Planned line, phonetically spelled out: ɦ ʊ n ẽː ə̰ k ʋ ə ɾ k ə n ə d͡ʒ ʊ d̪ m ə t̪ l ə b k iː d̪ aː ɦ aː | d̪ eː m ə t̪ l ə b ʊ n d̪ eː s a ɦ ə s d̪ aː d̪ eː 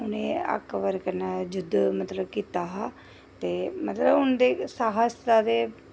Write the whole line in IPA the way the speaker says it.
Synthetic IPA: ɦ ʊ n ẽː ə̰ k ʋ ə ɾ k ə n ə d͡ʒ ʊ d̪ m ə t̪ l ə b k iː t̪ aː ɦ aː | t̪ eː m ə t̪ l ə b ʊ n d̪ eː s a ɦ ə s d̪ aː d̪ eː

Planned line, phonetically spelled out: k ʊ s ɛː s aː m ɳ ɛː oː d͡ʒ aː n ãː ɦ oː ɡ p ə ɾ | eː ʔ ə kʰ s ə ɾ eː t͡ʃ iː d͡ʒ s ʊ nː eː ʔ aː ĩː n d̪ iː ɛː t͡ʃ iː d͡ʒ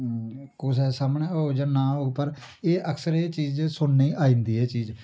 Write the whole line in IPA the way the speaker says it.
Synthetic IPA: k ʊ s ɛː s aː m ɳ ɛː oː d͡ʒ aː n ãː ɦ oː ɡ p ə ɾ | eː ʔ ə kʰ s ə ɾ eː t͡ʃ iː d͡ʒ s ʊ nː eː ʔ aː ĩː n d̪ iː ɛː t͡ʃ iː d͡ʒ

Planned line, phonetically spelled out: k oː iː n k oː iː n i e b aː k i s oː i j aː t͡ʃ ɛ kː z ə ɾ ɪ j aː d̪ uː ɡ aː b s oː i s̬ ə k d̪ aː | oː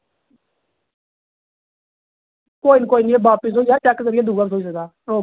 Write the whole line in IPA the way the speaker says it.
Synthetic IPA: k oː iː n k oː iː n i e b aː p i s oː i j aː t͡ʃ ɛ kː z ə ɾ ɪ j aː d̪ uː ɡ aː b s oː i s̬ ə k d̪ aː | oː

